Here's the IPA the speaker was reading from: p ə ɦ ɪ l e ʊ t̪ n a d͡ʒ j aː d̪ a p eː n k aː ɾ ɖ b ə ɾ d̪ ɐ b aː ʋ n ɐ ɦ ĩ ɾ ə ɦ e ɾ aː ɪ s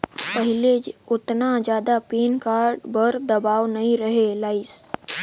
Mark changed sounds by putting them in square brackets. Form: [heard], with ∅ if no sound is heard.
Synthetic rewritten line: p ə ɦ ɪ l e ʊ t̪ n a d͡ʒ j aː d̪ a p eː n k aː ɾ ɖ b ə ɾ d̪ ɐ b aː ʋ n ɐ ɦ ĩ ɾ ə ɦ e [l] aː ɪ s